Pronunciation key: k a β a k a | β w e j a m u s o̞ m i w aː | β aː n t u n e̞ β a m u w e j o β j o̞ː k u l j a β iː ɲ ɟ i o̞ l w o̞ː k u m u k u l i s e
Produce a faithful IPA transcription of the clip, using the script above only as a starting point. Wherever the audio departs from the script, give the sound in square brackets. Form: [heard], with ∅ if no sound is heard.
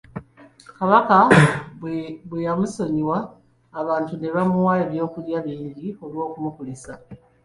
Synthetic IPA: k a β a k a | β w e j a m u s o̞ [ɲ] i w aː | β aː n t u n e̞ β a m u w [a] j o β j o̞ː k u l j a β iː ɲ ɟ i o̞ l w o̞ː k u m u k u l i s [a]